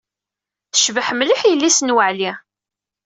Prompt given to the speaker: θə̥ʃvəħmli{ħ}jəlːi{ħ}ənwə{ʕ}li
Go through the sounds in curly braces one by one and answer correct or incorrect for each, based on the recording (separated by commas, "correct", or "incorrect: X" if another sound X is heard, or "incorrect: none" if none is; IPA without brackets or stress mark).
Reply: correct, incorrect: s, correct